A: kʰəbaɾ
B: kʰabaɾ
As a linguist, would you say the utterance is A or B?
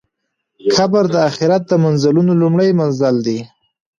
B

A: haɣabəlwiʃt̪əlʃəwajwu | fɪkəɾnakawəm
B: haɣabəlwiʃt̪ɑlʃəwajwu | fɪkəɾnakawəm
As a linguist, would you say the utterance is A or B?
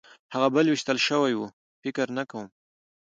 A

